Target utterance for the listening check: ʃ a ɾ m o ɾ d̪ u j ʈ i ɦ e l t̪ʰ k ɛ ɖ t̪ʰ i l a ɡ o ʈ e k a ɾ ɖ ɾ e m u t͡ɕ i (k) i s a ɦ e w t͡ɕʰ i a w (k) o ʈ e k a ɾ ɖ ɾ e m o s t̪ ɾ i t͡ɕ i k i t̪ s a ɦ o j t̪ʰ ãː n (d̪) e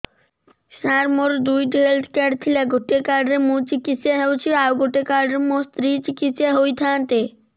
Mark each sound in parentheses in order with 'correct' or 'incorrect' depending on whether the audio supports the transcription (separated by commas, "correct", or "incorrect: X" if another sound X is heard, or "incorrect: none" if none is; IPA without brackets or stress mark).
correct, incorrect: ɡ, incorrect: t̪